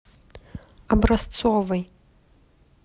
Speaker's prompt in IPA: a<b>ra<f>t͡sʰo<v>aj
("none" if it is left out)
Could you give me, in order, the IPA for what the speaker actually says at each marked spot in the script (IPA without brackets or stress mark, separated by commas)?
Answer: b, s, v